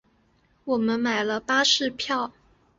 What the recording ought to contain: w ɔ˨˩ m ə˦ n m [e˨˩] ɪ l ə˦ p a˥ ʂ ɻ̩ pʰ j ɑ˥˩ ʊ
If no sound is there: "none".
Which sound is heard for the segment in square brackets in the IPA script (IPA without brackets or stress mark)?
a˨˩